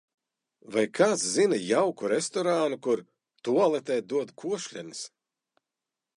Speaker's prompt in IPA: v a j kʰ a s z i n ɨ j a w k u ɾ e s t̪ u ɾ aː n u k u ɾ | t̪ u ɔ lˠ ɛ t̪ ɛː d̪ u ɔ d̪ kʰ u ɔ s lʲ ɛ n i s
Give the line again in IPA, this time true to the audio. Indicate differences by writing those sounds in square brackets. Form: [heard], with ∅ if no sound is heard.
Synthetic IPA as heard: v a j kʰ a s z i n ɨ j a w k u ɾ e s t̪ [ɔ] ɾ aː n u k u ɾ | t̪ u ɔ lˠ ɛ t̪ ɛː d̪ u ɔ d̪ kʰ u ɔ [ʃ] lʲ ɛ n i s